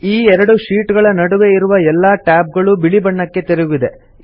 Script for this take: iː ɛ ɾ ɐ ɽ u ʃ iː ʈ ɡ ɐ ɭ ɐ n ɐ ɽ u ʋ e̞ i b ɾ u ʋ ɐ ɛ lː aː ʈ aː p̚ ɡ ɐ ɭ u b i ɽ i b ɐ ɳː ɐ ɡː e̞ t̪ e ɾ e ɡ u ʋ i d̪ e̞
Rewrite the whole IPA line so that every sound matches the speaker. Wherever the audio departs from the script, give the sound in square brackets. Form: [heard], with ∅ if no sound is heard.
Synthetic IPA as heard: iː ɛ ɾ ɐ ɽ u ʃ iː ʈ ɡ ɐ ɭ ɐ n ɐ ɽ u ʋ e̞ i [∅] ɾ u ʋ ɐ ɛ lː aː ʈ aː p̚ ɡ ɐ ɭ u b i [ɭ] i b ɐ ɳː ɐ [kː] e̞ t̪ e ɾ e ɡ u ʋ i d̪ e̞